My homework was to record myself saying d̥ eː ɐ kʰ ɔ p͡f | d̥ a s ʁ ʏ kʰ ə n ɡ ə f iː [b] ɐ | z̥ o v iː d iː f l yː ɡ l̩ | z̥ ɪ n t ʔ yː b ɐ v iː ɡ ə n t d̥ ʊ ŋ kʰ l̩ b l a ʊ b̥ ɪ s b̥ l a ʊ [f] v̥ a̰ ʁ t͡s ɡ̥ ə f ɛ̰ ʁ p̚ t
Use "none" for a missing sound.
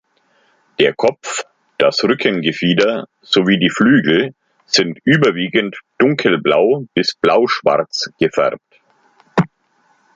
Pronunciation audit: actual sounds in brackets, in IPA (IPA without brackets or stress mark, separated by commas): d, ʃ